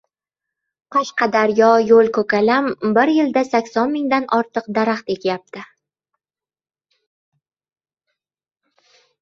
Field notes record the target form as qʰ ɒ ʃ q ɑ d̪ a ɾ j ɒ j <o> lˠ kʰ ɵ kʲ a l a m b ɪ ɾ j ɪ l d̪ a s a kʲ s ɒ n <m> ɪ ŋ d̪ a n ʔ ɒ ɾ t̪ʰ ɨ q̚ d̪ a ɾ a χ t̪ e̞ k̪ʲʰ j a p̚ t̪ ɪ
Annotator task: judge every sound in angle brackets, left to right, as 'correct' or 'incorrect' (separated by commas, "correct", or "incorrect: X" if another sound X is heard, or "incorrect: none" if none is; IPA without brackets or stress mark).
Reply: correct, correct